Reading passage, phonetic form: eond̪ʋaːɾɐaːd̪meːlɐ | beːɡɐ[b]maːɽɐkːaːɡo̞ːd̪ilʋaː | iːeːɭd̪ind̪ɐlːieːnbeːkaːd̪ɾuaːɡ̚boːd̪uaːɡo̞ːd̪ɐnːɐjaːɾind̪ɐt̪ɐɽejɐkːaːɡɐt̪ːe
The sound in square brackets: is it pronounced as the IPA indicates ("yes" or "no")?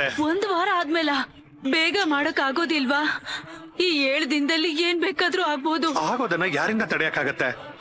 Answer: no